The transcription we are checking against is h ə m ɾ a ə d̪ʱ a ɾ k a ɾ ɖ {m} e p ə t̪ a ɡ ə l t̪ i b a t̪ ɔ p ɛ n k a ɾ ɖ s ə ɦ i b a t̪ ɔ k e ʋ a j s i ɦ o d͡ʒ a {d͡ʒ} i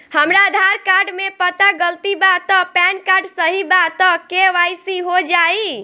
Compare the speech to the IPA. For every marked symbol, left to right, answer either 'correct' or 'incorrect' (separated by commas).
correct, incorrect